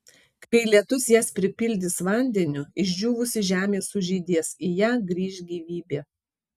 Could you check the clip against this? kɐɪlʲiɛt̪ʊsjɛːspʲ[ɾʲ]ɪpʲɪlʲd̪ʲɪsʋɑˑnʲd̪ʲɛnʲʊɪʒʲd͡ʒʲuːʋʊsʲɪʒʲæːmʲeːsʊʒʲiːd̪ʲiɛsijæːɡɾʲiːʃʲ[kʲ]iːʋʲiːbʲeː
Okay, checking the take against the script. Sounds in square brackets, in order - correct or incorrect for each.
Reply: correct, incorrect

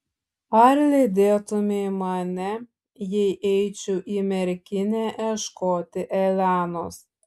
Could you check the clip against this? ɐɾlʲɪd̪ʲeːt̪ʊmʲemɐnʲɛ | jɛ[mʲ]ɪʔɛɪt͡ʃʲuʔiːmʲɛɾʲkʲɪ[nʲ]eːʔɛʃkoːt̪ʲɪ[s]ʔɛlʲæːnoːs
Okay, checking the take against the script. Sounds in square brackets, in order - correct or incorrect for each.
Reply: incorrect, correct, incorrect

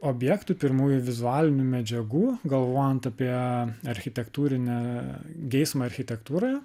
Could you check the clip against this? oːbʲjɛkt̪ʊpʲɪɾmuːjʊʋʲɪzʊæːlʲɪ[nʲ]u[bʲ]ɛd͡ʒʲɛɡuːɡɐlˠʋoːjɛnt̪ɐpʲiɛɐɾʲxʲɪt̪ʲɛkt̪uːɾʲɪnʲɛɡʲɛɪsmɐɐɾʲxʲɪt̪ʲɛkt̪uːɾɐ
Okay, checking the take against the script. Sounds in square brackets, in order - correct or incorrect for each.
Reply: correct, incorrect

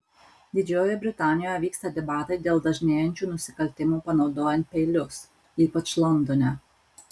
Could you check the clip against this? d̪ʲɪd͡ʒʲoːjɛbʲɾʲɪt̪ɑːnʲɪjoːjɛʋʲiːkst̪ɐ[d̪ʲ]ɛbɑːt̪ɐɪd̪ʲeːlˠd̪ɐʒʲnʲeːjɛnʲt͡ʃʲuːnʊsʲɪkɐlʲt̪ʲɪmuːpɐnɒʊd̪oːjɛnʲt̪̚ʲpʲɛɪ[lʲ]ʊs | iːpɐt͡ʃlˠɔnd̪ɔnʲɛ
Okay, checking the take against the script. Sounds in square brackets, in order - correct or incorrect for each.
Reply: correct, correct

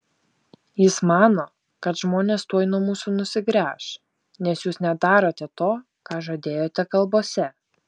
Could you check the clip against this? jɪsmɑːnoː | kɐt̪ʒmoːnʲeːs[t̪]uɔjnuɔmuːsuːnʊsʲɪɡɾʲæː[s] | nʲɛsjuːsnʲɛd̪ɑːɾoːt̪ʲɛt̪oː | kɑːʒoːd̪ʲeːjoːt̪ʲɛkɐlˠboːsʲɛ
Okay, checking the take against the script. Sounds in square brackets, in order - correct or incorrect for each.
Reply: correct, incorrect

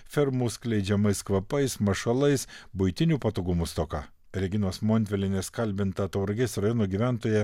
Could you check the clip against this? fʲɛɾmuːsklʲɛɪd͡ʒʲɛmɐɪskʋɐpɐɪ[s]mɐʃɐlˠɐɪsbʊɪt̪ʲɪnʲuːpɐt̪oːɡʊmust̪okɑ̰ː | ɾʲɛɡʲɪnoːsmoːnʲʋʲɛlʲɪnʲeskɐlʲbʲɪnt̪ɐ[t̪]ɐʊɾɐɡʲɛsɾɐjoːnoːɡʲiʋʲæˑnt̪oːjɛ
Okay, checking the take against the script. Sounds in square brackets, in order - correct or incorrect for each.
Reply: correct, correct

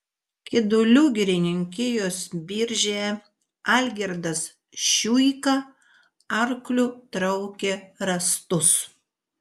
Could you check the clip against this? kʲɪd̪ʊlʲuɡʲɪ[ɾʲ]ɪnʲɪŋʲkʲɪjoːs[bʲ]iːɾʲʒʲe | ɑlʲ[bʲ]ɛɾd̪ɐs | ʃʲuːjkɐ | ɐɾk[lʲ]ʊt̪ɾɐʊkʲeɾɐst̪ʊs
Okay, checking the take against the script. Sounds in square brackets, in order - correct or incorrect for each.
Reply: correct, correct, incorrect, correct

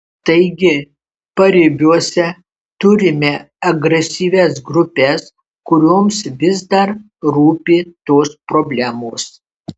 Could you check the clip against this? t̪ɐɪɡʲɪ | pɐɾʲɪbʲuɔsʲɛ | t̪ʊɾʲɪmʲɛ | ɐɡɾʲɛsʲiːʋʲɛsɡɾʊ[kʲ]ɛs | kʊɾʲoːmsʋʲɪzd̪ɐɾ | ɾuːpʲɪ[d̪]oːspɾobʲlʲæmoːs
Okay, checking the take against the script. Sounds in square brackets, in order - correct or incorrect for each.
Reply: incorrect, incorrect

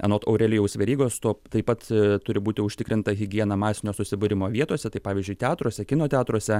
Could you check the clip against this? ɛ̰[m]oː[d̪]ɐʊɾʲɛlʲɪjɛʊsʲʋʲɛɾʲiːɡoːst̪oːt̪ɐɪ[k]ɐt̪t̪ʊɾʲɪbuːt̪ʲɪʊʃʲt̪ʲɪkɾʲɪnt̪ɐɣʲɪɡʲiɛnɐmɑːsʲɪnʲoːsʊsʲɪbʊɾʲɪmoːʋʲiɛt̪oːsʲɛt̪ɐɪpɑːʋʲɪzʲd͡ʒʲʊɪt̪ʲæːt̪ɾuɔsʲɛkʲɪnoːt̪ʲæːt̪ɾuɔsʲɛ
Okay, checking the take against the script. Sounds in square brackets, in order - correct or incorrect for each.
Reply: incorrect, incorrect, incorrect

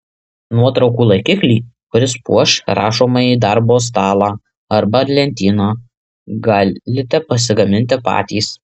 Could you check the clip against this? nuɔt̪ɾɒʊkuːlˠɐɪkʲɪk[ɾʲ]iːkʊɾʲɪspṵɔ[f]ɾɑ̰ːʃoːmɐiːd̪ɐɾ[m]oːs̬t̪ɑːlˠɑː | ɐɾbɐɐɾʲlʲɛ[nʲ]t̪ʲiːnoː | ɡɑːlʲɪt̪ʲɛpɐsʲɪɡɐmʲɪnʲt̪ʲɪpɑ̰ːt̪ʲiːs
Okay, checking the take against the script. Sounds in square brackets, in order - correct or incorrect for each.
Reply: incorrect, incorrect, incorrect, correct

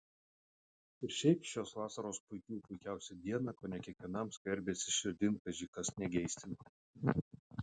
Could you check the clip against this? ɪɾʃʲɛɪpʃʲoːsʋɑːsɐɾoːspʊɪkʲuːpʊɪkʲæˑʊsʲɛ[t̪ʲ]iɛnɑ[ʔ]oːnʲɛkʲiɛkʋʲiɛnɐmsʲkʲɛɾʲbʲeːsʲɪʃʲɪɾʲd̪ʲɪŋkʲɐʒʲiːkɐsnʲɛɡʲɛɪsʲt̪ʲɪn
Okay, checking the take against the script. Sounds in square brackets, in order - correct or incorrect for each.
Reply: incorrect, incorrect

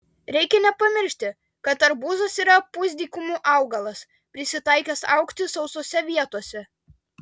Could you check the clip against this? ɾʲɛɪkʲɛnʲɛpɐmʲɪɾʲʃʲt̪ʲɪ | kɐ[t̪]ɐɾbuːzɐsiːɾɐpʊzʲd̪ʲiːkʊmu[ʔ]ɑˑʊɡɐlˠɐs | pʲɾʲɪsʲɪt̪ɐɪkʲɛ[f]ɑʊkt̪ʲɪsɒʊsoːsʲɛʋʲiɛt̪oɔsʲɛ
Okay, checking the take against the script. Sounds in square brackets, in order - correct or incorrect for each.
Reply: correct, correct, incorrect

